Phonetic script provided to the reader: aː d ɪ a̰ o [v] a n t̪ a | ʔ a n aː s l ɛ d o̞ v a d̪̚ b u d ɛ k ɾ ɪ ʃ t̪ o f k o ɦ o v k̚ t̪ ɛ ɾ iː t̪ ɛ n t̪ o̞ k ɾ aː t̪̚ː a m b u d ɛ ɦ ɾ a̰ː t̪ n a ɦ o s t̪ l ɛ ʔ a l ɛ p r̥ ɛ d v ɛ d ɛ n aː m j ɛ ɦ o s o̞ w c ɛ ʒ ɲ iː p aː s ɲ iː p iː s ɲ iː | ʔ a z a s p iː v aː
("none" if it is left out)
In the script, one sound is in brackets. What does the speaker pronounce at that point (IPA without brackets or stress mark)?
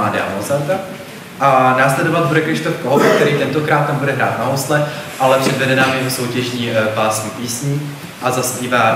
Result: z